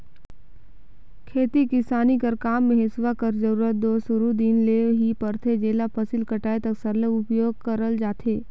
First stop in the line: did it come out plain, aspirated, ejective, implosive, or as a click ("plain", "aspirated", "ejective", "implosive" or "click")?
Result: aspirated